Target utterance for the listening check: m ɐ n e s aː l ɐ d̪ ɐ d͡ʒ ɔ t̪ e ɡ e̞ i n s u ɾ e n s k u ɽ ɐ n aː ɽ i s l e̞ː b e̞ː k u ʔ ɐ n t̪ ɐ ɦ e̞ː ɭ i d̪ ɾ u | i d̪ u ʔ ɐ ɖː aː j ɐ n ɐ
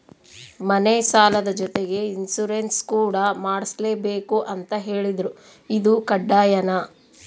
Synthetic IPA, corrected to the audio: m ɐ n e s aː l ɐ d̪ ɐ d͡ʒ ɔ t̪ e ɡ e̞ i n s u ɾ e n s k uː ɽ ɐ m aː ɽ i s l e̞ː b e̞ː k u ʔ ɐ n t̪ ɐ ɦ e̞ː ɭ i d̪ ɾ u | i d̪ u k ɐ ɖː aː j ɐ n ɐ